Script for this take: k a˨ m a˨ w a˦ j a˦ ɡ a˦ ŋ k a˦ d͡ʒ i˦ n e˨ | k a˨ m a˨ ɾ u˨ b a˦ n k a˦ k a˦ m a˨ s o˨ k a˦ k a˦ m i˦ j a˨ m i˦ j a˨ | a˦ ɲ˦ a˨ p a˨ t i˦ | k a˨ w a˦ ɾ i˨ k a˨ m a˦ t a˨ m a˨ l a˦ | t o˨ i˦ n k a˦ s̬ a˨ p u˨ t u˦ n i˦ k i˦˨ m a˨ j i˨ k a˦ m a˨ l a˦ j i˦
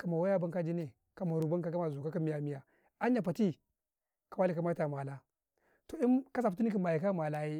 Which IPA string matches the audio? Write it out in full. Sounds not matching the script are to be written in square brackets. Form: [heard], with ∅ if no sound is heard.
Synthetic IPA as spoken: k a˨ m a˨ w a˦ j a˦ [b] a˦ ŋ k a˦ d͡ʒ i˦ n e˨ | k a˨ m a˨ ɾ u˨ b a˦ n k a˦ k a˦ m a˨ [z] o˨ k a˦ k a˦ m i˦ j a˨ m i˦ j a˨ | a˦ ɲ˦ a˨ p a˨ t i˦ | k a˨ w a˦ [l] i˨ k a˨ m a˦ t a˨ m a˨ l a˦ | t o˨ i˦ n k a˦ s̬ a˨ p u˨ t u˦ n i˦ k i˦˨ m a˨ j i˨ k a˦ m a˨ l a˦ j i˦

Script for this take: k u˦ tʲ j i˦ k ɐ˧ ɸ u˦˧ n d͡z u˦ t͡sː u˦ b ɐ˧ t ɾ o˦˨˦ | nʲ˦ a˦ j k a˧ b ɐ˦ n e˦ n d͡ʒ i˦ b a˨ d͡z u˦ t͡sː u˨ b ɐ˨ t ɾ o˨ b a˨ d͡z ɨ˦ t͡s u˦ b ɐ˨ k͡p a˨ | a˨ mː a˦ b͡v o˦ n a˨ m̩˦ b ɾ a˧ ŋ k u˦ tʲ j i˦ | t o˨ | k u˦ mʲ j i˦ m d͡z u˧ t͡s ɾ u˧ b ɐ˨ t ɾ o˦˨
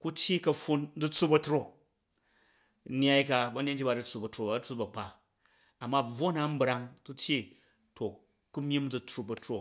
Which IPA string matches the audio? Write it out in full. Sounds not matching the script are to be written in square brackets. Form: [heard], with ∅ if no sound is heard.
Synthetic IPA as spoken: k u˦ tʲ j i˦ k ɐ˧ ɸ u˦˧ n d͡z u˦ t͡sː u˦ b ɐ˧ t ɾ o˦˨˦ | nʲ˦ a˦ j k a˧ b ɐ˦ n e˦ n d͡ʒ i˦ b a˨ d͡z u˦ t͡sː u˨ b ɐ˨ t ɾ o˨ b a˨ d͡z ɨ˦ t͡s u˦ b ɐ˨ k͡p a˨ | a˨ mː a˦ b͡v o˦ n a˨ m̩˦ b ɾ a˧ ŋ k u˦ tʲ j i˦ | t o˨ | k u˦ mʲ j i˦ m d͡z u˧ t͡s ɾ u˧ b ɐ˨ t ɾ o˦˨

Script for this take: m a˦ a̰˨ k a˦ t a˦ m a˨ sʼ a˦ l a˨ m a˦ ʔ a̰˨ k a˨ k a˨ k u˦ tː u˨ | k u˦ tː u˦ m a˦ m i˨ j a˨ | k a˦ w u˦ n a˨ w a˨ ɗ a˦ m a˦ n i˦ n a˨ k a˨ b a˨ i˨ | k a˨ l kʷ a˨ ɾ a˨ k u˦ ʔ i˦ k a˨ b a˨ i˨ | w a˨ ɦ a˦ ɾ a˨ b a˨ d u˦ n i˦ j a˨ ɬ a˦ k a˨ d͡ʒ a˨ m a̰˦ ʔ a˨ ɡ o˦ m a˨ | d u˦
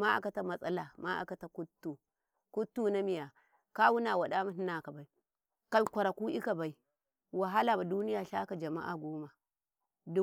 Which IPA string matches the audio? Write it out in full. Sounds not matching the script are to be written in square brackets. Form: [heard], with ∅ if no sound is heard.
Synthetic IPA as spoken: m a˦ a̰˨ k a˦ t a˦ m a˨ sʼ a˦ l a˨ m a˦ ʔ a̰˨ k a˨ [t] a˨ k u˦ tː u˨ | k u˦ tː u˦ [n] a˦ m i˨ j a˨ | k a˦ w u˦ n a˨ w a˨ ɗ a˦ m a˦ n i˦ n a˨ k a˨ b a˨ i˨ | k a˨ l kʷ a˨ ɾ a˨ k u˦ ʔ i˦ k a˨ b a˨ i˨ | w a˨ ɦ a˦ [l] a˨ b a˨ d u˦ n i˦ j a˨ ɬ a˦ k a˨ d͡ʒ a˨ m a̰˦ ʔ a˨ ɡ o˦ m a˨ | d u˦

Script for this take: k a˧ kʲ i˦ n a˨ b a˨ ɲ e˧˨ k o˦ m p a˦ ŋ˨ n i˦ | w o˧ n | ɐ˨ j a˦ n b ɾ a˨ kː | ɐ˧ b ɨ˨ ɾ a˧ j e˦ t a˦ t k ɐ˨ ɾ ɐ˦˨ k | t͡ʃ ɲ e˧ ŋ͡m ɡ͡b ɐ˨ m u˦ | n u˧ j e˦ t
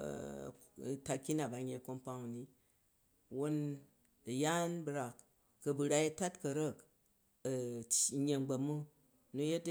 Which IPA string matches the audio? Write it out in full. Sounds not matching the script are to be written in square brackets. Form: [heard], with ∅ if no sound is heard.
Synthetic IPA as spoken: [t] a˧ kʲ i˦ n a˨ b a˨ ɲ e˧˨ k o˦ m p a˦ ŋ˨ n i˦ | w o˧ n | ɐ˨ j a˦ n b ɾ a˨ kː | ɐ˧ b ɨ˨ ɾ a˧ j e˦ t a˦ t k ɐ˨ ɾ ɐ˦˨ k | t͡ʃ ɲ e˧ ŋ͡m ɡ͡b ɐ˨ m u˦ | n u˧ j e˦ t

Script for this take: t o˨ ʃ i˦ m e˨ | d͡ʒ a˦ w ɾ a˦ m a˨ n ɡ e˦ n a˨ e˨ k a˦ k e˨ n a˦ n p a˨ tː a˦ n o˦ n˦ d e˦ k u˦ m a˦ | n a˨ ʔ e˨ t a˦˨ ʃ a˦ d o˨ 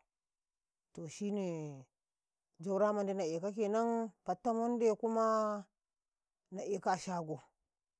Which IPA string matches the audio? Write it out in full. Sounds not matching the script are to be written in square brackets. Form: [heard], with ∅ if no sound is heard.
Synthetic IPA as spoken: t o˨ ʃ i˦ [n] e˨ | d͡ʒ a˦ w ɾ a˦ m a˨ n [d] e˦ n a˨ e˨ k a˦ k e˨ n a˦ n p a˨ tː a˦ [m] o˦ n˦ d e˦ k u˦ m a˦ | n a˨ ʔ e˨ [k] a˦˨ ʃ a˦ [ɡ] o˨

